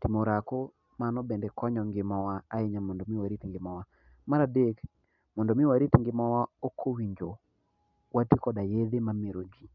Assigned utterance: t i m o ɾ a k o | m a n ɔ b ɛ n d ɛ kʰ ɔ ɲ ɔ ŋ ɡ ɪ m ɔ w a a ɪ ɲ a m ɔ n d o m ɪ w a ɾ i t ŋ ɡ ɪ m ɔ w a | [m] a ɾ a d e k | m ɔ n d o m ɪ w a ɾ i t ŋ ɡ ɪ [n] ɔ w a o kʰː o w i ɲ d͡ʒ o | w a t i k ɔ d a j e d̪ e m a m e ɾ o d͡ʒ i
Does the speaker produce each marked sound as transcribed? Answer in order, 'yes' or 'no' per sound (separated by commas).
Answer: yes, no